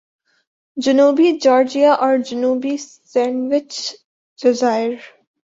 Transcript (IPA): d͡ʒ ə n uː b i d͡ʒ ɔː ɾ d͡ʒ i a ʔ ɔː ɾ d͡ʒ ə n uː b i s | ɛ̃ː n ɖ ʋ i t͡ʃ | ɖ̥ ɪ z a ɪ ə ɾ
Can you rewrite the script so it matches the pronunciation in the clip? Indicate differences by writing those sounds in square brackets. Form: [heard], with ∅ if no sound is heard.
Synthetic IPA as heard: d͡ʒ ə n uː b i d͡ʒ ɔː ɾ d͡ʒ i a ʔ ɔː ɾ d͡ʒ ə n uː b i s | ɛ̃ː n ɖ ʋ [ɪ] t͡ʃ | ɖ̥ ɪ z a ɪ ə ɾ